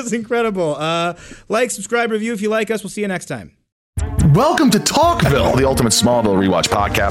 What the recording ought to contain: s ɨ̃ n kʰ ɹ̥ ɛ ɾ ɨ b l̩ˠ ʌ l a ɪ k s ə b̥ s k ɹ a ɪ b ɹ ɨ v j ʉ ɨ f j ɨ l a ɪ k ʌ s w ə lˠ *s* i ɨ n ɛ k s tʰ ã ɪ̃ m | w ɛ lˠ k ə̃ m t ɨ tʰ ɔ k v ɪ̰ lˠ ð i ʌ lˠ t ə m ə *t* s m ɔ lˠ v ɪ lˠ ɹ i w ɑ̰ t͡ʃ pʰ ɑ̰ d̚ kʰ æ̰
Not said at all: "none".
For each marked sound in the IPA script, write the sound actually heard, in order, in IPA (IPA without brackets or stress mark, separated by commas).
s, t